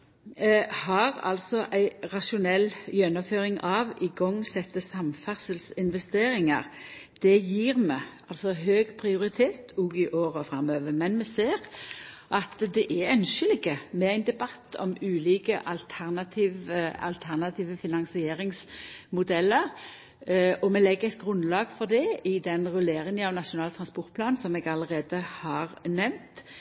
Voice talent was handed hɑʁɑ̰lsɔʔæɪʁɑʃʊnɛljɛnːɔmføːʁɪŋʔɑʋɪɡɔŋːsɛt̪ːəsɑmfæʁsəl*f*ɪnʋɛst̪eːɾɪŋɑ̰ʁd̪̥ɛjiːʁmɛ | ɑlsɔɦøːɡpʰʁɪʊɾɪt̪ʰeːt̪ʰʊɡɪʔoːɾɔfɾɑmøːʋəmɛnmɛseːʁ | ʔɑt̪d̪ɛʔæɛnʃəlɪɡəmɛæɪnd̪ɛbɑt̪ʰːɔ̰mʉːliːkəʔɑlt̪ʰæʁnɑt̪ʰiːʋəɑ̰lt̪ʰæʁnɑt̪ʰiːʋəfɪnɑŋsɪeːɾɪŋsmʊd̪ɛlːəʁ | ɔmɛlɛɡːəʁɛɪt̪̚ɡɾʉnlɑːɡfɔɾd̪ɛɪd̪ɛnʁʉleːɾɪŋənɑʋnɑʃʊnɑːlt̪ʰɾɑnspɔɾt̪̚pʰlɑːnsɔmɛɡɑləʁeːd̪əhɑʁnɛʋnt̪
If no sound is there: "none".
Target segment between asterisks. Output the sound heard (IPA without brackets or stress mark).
s